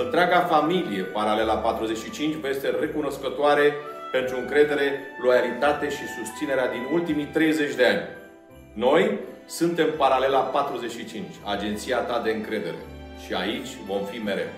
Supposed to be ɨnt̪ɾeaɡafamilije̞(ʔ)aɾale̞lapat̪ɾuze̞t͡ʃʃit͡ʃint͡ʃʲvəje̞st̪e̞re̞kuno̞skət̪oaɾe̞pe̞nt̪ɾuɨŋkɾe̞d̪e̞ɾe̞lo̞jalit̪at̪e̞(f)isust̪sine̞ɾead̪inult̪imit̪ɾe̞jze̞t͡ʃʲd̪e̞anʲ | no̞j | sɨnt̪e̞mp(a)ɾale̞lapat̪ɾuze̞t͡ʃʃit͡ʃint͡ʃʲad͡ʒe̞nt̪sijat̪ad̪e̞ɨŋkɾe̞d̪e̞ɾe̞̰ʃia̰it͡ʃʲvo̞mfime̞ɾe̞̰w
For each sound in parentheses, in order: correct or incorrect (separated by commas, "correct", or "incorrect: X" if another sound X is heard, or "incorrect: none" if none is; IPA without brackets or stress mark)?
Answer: incorrect: p, incorrect: ʃ, correct